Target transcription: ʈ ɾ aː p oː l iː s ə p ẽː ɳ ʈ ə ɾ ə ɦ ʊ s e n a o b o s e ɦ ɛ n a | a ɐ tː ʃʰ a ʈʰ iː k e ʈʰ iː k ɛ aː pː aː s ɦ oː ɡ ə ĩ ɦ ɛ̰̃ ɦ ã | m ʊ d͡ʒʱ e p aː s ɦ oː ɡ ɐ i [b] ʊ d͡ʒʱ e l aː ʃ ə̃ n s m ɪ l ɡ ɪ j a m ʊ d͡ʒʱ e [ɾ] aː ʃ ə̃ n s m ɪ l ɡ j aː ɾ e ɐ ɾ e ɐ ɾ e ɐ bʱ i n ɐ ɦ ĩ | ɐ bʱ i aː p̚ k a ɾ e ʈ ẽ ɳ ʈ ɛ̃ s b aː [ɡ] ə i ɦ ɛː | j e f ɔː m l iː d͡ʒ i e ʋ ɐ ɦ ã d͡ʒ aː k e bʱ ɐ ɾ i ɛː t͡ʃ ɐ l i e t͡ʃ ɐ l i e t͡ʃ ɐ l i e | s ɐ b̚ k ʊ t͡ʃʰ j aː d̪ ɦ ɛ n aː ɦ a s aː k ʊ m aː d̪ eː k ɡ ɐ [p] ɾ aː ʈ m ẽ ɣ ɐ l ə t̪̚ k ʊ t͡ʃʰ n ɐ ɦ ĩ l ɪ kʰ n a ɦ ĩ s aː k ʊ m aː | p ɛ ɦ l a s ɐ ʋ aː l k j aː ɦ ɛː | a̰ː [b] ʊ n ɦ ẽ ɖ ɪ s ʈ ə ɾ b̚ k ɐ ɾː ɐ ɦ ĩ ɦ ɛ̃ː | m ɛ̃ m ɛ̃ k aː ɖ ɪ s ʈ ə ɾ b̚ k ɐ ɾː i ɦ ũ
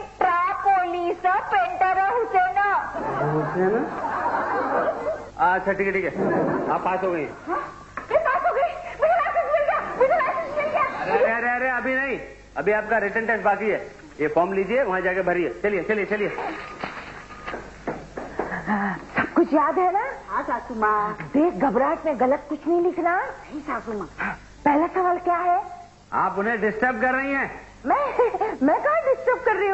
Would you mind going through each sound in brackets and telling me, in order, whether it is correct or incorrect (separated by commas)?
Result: incorrect, incorrect, incorrect, incorrect, incorrect